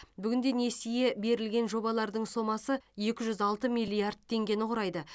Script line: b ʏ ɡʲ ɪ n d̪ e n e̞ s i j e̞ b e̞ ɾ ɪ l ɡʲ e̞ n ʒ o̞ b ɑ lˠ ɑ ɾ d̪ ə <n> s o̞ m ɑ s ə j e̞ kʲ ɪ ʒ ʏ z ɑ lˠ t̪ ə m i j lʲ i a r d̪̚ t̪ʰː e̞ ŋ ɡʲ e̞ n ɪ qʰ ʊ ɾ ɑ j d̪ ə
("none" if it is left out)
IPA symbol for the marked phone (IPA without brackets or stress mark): ɴ